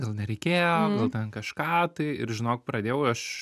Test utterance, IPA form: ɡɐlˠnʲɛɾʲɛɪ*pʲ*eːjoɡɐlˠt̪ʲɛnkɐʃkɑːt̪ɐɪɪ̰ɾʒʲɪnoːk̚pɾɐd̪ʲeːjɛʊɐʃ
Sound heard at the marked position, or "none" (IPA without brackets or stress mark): kʲ